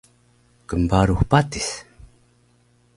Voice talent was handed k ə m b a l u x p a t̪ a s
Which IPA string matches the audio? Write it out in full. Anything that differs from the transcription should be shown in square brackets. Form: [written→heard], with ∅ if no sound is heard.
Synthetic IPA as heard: k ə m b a [l→ɾ] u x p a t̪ [a→i] s